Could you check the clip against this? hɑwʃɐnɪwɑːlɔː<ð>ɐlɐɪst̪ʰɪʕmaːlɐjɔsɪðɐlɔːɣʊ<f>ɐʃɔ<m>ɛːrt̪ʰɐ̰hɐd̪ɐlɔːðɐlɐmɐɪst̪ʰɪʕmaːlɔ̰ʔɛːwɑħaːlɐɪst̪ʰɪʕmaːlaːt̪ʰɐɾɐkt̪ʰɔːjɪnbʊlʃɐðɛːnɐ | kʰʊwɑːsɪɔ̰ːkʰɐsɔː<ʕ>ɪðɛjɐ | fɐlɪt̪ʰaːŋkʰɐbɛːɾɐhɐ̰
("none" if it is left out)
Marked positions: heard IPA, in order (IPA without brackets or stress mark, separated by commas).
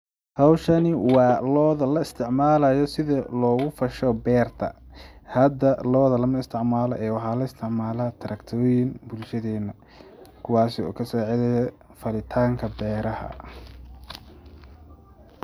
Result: ð, f, b, ʕ